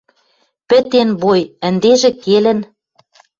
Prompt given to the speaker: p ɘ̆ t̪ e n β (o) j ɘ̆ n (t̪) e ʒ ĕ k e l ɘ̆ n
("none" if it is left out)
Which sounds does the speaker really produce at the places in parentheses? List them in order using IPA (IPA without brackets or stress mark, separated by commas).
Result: o, d̪